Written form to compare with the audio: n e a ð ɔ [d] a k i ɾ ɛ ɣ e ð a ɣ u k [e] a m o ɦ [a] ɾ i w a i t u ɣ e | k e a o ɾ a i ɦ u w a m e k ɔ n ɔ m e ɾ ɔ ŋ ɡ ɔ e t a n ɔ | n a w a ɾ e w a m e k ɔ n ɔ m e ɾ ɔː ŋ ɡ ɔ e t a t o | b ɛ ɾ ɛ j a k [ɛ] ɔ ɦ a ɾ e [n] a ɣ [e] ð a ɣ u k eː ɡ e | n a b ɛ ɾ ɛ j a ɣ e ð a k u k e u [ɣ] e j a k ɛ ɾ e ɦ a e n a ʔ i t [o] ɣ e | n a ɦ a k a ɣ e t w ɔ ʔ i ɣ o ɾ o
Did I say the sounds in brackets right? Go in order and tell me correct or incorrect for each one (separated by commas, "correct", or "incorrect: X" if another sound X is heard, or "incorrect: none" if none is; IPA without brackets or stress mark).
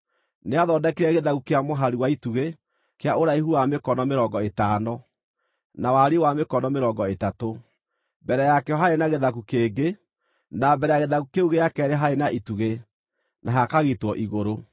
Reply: correct, correct, correct, correct, correct, correct, correct, incorrect: u